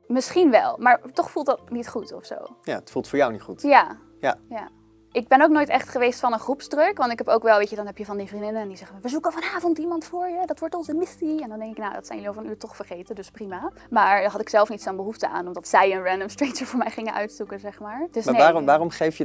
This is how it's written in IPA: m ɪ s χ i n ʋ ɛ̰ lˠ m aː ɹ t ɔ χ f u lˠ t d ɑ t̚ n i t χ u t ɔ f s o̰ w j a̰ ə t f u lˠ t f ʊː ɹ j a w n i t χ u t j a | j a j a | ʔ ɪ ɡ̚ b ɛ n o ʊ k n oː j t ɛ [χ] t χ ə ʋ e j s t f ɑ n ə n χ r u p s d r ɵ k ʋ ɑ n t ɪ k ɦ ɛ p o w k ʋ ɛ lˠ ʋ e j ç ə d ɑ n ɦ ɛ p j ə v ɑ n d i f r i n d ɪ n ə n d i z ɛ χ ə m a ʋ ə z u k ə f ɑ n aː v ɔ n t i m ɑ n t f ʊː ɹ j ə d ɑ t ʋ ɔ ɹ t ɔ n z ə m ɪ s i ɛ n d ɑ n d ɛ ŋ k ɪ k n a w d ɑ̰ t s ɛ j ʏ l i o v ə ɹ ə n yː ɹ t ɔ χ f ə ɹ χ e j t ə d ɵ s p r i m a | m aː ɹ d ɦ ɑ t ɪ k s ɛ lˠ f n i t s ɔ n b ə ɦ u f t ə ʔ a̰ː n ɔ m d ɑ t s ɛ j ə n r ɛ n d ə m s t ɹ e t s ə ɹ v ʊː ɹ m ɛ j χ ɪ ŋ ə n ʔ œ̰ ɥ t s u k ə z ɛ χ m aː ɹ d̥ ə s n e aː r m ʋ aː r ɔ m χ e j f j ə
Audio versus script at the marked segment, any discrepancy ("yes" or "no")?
no